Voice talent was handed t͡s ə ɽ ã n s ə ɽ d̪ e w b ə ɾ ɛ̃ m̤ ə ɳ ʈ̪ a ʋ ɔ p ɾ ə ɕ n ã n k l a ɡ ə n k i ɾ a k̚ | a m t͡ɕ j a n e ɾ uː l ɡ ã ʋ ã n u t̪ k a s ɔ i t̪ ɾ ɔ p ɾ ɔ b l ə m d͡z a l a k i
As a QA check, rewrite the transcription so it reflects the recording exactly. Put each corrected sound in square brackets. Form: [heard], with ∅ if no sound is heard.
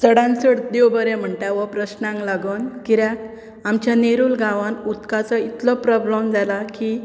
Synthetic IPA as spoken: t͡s ə ɽ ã n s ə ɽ d̪ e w b ə ɾ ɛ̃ m̤ ə ɳ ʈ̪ a ʋ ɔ p ɾ ə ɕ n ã [ŋ] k l a ɡ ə n k i ɾ a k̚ | a m t͡ɕ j a n e ɾ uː l ɡ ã ʋ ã n u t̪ k a [t͡s] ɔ i t̪ [l] ɔ p ɾ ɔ b l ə m d͡z a l a k i